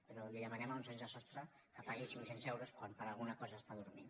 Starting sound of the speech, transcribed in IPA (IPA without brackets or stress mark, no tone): p